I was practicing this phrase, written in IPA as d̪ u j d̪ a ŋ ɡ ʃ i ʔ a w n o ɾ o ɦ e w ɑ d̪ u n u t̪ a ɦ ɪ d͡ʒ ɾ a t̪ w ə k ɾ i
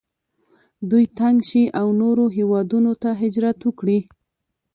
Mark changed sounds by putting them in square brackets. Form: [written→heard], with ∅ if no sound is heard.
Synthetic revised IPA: d̪ u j [d̪→t̪] a ŋ ɡ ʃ i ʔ a w n o ɾ o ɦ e w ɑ d̪ u n [u→o] t̪ a ɦ ɪ d͡ʒ ɾ a t̪ w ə k [ɾ→ɽ] i